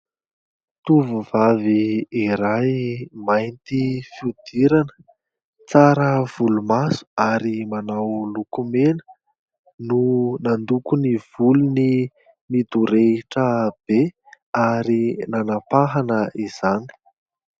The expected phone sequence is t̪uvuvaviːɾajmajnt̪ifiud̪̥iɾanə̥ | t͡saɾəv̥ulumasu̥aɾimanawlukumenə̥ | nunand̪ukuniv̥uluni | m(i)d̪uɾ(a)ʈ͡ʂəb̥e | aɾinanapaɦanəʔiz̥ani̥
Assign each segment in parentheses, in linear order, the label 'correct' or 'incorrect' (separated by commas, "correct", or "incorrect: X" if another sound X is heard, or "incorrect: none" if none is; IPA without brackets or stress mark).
correct, incorrect: e